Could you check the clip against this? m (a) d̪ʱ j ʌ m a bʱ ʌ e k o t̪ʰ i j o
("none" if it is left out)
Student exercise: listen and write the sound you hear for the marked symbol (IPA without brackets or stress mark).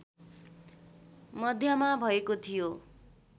ʌ